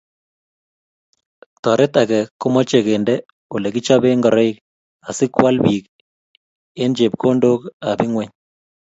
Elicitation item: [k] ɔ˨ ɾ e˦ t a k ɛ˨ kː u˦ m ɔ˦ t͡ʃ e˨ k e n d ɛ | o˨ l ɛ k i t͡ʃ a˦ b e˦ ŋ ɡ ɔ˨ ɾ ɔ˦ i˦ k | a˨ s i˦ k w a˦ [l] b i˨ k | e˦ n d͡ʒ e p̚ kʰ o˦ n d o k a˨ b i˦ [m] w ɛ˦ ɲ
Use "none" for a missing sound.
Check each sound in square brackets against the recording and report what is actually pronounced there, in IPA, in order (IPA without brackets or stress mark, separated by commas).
t, l, ŋ